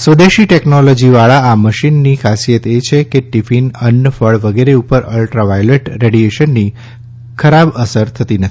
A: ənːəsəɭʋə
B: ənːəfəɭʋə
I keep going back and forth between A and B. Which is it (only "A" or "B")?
B